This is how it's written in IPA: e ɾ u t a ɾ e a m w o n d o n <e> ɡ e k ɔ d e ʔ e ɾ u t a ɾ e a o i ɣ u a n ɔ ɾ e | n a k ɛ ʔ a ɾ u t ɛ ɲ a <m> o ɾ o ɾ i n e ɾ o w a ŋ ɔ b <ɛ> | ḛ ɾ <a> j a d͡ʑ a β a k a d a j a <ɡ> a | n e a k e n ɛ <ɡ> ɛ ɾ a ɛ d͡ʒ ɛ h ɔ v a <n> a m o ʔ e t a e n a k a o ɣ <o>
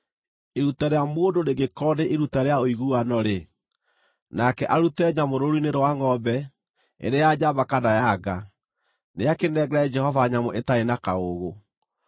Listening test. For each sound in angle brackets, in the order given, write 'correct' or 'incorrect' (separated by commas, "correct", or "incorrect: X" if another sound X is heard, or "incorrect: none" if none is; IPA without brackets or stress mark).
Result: correct, correct, correct, incorrect: e, correct, correct, incorrect: ɲ, correct